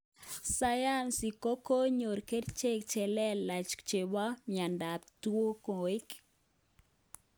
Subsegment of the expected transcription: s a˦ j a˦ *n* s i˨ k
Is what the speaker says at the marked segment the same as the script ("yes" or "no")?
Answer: yes